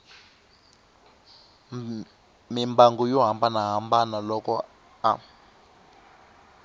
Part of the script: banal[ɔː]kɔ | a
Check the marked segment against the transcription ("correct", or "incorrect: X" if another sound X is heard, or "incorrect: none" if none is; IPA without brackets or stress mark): incorrect: ɔ